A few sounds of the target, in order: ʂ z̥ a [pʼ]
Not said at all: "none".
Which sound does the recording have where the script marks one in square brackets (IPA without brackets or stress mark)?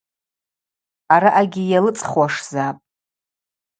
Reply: pʼ